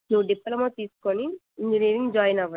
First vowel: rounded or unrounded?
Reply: rounded